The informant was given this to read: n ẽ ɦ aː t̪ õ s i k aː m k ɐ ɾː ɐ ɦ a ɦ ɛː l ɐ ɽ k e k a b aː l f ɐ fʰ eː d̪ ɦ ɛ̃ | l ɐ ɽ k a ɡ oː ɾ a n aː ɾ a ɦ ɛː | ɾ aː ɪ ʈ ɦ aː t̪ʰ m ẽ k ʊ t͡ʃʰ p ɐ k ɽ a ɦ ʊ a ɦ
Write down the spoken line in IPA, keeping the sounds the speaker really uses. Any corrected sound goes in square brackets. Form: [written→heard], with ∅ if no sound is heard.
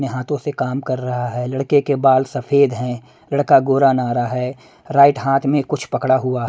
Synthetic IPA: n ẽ ɦ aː t̪ õ s [i→e] k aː m k ɐ ɾː ɐ ɦ a ɦ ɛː l ɐ ɽ k e k [a→e] b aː l [f→s] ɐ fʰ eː d̪ ɦ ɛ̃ | l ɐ ɽ k a ɡ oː ɾ a n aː ɾ a ɦ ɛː | ɾ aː ɪ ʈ ɦ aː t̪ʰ m ẽ k ʊ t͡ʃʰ p ɐ k ɽ a ɦ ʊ a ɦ